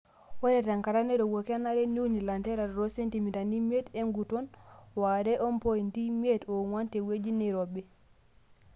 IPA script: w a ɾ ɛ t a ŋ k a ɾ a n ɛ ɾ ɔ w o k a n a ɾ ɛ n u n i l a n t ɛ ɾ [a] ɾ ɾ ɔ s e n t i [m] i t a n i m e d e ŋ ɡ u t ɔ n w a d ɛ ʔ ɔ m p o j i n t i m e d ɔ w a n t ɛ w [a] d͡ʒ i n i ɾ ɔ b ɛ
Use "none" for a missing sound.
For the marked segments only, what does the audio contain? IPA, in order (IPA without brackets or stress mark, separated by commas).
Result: a, m, e